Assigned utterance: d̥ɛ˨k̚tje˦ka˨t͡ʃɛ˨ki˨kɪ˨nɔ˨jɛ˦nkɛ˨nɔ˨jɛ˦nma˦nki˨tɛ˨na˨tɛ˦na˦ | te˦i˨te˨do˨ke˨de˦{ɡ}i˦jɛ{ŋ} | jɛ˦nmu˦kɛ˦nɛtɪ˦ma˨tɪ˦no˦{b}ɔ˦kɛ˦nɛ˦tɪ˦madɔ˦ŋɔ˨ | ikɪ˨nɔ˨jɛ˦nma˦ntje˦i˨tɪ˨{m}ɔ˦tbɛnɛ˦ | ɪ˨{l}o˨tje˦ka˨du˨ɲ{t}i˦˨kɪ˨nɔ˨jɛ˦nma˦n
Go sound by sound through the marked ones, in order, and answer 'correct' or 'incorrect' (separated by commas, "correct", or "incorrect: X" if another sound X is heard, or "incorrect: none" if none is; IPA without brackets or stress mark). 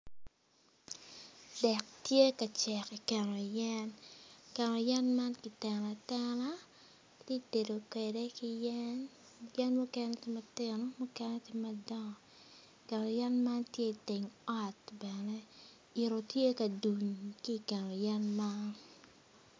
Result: incorrect: k, incorrect: n, incorrect: m, incorrect: ŋ, incorrect: ɾ, incorrect: k